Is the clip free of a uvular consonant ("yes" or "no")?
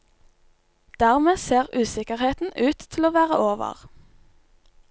no